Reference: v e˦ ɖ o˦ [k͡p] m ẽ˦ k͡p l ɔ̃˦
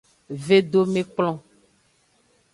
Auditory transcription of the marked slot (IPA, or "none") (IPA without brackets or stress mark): none